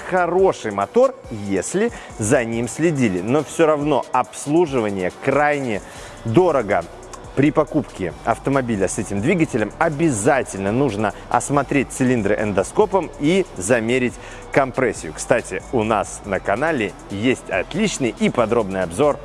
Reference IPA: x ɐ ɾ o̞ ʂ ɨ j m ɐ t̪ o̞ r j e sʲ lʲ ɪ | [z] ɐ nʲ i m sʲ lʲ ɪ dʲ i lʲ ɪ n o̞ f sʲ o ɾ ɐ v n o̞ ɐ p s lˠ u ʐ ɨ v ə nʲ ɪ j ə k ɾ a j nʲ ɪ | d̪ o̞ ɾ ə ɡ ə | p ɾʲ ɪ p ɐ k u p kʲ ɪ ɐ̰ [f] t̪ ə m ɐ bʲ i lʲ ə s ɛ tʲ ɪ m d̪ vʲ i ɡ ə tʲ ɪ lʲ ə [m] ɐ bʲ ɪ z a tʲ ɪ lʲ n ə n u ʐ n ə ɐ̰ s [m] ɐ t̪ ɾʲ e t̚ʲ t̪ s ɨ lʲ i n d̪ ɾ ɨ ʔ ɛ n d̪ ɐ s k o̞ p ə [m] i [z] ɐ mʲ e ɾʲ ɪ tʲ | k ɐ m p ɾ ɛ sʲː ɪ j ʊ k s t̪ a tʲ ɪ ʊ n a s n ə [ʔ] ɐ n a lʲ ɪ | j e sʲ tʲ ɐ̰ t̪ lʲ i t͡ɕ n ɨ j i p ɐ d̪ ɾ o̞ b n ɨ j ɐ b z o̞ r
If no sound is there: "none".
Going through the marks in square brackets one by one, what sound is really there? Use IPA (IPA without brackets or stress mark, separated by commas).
z, f, m, m, m, z, k